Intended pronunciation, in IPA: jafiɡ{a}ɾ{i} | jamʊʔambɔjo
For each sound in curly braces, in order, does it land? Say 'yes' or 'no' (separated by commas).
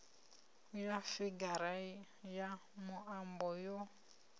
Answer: yes, no